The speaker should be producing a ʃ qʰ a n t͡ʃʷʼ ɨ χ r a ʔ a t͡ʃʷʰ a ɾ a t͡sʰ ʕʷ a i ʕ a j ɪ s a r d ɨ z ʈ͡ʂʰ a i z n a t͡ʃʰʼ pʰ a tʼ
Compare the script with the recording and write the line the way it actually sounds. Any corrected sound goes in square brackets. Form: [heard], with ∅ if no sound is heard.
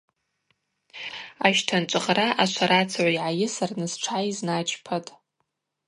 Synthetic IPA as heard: a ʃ [tʰ] a n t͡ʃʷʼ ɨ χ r a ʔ a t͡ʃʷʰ a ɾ a t͡sʰ ʕʷ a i ʕ a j ɪ s a r [n] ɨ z ʈ͡ʂʰ a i z n a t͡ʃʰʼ pʰ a tʼ